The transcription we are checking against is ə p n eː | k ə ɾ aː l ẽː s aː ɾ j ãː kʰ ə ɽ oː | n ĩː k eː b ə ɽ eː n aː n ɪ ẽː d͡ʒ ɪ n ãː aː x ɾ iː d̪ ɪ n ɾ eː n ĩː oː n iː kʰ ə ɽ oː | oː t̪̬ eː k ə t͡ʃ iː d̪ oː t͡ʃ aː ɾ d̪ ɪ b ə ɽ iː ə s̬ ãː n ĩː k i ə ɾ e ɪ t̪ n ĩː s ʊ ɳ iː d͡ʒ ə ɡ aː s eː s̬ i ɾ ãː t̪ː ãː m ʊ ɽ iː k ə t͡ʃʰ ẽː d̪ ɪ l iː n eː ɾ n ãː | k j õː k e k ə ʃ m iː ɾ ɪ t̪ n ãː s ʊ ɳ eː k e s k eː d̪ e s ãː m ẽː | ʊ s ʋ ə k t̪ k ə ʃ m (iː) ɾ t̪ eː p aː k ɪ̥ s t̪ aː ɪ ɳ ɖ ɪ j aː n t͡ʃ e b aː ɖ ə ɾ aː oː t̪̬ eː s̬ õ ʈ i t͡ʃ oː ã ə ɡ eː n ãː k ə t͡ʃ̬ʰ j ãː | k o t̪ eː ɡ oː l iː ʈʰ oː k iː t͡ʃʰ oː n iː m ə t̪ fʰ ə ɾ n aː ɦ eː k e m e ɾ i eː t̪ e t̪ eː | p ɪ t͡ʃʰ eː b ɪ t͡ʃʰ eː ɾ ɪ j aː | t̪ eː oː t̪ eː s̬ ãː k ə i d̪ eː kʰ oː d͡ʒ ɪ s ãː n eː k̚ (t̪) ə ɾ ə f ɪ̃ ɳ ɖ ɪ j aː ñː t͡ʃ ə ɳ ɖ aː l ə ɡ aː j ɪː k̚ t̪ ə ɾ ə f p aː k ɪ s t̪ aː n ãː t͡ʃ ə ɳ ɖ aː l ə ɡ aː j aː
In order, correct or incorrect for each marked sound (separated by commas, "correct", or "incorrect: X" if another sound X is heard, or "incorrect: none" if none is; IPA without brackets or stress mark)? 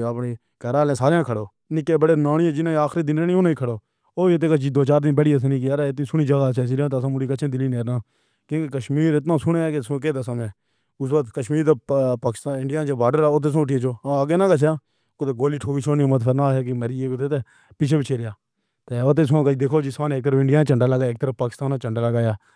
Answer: correct, correct